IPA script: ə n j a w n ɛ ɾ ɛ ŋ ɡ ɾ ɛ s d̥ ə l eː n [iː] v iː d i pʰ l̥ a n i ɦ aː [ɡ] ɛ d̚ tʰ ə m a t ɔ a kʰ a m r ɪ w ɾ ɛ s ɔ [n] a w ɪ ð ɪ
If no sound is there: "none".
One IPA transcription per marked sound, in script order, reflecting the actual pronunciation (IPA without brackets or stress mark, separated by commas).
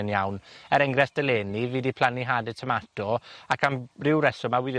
i, d, m